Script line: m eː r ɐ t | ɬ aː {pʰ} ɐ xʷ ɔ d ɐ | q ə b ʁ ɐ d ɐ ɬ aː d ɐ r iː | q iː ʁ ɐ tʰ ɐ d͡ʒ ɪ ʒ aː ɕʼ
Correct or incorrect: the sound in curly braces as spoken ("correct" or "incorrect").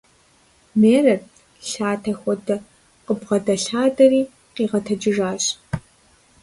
incorrect